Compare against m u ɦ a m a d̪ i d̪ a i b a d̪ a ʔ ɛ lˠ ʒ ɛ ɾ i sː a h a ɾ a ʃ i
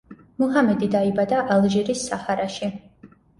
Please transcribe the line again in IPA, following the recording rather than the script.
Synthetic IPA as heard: m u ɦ a m ɛ d̪ i d̪ a i b a d̪ a ʔ a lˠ ʒ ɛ ɾ i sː a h a ɾ a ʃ i